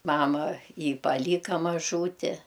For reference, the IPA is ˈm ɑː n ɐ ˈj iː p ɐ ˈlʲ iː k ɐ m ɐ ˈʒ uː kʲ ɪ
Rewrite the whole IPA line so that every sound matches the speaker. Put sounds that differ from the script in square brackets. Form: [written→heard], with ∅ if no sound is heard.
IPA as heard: ˈm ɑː [n→m] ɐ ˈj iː p ɐ ˈlʲ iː k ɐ m ɐ ˈʒ uː [kʲ→tʲ] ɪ